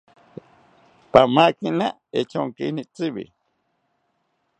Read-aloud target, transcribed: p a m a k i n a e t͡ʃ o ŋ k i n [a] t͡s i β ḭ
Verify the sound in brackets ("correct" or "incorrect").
incorrect